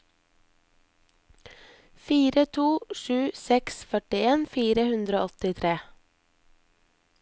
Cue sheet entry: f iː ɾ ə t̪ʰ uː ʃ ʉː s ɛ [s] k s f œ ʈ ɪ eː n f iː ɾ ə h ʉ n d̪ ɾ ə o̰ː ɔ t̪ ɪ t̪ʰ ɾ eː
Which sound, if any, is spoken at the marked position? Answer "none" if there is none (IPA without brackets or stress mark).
none